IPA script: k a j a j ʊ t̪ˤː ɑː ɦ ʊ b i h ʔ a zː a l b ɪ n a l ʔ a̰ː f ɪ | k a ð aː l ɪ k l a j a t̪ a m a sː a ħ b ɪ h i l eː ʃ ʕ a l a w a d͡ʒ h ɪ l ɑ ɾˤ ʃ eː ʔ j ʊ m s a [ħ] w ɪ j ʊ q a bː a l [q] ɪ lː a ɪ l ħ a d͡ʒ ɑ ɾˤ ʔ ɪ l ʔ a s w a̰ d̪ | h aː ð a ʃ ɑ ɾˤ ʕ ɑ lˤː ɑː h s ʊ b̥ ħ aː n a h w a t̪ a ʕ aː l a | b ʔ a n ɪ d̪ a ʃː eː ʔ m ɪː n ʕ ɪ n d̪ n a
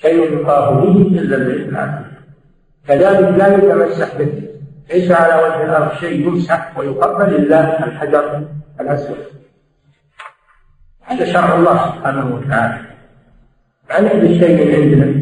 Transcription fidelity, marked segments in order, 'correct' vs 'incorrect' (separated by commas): correct, incorrect